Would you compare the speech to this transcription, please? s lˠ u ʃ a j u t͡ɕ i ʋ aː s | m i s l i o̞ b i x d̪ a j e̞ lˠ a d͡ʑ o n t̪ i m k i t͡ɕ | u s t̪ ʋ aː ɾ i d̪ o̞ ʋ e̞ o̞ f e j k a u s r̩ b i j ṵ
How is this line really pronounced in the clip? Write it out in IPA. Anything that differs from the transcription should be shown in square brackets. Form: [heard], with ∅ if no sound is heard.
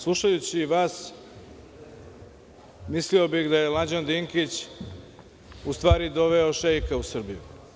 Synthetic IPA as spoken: s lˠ u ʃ a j u t͡ɕ i ʋ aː s | m i s l i o̞ b i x d̪ a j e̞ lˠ a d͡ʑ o n [d̪] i [ŋ] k i t͡ɕ | u s t̪ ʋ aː ɾ i d̪ o̞ ʋ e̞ o̞ [ʃ] e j k a u s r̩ b i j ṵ

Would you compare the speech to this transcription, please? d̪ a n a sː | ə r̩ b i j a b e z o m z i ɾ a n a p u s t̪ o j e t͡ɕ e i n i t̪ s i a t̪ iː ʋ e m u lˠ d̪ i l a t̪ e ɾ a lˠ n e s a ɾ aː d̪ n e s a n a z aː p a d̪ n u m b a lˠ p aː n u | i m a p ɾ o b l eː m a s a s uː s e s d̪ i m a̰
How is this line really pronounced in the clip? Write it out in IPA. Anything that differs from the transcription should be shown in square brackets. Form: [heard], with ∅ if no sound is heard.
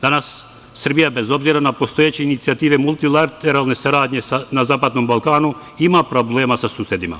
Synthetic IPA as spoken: d̪ a n a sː | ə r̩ b i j a b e z o [b] z i ɾ a n a p [o] s t̪ o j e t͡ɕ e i n i t̪ s i a t̪ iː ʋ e m u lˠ [t̪] i l a t̪ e ɾ a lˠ n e s a ɾ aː d̪ [ɲ] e s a n a z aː p a d̪ n [o] m b a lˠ [k] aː n u | i m a p ɾ o b l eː m a s a s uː s e [∅] d̪ i m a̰

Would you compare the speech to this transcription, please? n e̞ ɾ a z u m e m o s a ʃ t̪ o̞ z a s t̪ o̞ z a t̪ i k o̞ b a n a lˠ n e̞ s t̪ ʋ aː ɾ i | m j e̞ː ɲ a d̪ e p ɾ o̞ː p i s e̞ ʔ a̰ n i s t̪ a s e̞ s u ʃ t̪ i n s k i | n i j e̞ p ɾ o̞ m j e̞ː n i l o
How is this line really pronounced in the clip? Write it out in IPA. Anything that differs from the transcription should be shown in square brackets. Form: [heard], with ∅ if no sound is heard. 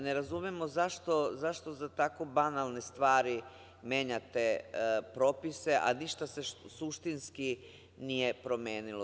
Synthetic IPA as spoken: n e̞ ɾ a z u m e m o [z] a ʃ t̪ o̞ z a [ʃ] t̪ o̞ z a t̪ [a] k o̞ b a n a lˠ n e̞ s t̪ ʋ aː ɾ i | m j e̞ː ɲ a [t̪] e p ɾ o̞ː p i s e̞ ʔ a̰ n i [ʃ] t̪ a s e̞ s u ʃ t̪ i n s k i | n i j e̞ p ɾ o̞ m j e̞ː n i l o

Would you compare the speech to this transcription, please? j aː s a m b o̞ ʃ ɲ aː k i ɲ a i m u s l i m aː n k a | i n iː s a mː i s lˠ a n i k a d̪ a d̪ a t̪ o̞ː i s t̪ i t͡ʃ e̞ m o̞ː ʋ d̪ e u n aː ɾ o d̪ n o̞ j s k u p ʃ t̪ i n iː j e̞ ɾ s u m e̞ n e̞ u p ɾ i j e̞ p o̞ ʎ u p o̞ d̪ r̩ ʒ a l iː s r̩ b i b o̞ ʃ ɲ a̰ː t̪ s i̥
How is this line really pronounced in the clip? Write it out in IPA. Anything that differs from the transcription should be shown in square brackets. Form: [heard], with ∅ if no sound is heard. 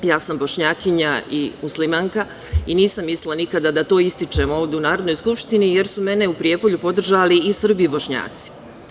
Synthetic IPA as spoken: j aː s a m b o̞ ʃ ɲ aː k i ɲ a i m u s l i m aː [ŋ] k a | i n iː s a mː i s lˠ a n i k a d̪ a d̪ a t̪ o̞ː i s t̪ i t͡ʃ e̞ m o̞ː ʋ d̪ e u n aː ɾ o d̪ n o̞ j s k u p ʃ t̪ i n [i] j e̞ ɾ s u m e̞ n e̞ u p ɾ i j e̞ p o̞ ʎ u p o̞ d̪ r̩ ʒ a l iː s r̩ b i b o̞ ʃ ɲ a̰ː t̪ s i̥

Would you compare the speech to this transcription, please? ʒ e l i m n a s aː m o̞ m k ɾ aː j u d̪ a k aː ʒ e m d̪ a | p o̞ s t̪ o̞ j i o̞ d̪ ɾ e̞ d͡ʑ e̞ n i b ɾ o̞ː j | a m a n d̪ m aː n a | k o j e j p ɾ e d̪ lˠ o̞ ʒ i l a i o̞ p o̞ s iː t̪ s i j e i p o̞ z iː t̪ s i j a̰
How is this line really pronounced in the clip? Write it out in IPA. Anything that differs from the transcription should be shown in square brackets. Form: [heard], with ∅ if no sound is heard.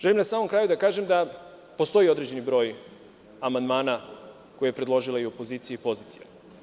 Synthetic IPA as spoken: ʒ e l i m n a s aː m o̞ m k ɾ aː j u d̪ a k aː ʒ e m d̪ a | p o̞ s t̪ o̞ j i o̞ d̪ ɾ e̞ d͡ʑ e̞ n i b ɾ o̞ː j | a m a n d̪ m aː n a | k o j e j p ɾ e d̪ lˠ o̞ ʒ i l a i o̞ p o̞ [z] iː t̪ s i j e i p o̞ z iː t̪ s i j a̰

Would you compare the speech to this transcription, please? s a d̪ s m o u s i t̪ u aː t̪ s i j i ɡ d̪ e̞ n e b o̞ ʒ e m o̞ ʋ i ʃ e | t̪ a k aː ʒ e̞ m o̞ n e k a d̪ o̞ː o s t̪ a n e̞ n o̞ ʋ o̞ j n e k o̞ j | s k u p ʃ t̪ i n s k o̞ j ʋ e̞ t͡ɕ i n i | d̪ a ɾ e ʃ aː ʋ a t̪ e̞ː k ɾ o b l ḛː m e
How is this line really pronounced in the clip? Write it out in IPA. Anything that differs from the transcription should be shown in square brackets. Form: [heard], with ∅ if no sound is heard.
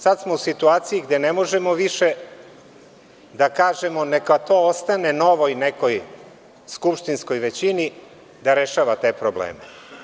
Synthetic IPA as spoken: s a d̪ s m o u s i t̪ u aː t̪ s i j i ɡ d̪ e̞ n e [m] o̞ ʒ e m o̞ ʋ i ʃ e | [d̪] a k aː ʒ e̞ m o̞ n e k a [t̪] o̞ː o s t̪ a n e̞ n o̞ ʋ o̞ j n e k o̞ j | s k u p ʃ t̪ i n s k o̞ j ʋ e̞ t͡ɕ i n i | d̪ a ɾ e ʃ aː ʋ a t̪ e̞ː [p] ɾ o b l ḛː m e

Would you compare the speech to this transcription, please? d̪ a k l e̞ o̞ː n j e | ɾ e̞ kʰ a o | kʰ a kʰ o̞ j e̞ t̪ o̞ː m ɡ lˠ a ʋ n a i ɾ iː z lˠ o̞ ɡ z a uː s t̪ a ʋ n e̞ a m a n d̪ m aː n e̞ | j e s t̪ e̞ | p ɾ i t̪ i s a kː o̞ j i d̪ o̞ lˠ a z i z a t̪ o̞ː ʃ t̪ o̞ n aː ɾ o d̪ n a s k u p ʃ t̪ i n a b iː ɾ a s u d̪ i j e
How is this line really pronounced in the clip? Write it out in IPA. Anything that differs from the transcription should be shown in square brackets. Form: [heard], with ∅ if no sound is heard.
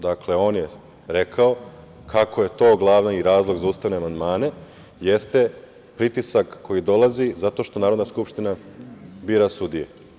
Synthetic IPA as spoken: d̪ a k l e̞ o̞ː n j e | ɾ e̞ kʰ a o | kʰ a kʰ o̞ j e̞ t̪ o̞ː [∅] ɡ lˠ a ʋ n a i ɾ [aː] z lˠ o̞ ɡ z a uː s t̪ a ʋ n e̞ a m a n d̪ m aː n e̞ | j e s t̪ e̞ | p ɾ i t̪ i s a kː o̞ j i d̪ o̞ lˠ a z i z a t̪ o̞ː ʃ t̪ o̞ n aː ɾ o d̪ n a s k u p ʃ t̪ i n a b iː ɾ a s u d̪ i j e

